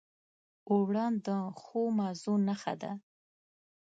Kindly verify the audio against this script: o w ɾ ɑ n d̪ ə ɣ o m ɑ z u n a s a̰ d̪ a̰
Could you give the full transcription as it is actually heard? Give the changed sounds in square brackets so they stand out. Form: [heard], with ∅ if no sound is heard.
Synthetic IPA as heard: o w [ɽ] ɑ n d̪ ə [x] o m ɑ z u n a [x] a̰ d̪ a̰